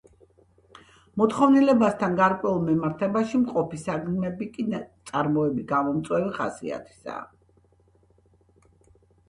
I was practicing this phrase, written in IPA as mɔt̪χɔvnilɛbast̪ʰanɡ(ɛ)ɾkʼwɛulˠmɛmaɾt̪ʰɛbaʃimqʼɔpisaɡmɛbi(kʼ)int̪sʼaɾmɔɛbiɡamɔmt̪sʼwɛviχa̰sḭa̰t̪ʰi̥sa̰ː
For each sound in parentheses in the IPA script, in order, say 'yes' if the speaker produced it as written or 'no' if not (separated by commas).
no, yes